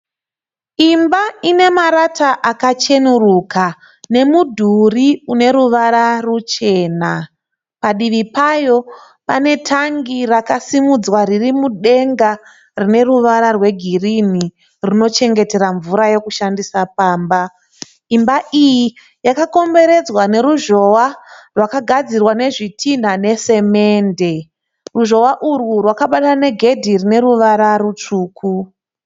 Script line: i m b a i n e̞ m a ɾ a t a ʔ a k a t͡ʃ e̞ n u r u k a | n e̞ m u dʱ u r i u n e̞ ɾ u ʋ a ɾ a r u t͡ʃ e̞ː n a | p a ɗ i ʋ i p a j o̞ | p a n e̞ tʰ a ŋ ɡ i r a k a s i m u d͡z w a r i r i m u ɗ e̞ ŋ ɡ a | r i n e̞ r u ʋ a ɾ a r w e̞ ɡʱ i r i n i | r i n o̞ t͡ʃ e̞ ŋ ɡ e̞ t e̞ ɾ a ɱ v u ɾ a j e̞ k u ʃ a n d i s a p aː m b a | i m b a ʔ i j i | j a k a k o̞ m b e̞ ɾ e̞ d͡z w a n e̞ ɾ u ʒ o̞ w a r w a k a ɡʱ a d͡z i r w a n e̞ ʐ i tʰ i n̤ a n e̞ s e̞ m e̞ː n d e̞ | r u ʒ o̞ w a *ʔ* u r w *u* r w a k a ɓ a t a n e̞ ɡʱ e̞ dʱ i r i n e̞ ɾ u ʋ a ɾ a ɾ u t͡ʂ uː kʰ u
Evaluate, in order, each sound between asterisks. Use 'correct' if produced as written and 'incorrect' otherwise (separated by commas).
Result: correct, correct